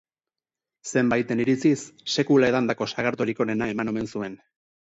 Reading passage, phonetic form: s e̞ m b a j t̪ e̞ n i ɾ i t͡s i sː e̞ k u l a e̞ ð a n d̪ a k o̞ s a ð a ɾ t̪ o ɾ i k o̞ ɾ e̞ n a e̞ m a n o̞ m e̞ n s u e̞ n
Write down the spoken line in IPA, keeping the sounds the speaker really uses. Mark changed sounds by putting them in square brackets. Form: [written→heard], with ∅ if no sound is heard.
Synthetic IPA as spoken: s e̞ m b a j t̪ e̞ n i ɾ i t͡s i sː e̞ k u l a e̞ ð a n d̪ a k o̞ s a [ð→ɣ] a ɾ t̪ o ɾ i k o̞ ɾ e̞ n a e̞ m a n o̞ m e̞ n s u e̞ n